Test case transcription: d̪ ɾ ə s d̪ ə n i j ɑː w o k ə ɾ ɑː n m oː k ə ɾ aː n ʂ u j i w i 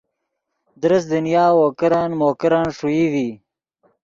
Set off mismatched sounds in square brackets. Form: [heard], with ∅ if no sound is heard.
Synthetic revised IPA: d̪ ɾ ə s d̪ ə n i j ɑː w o k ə ɾ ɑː n m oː k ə ɾ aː n ʂ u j i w i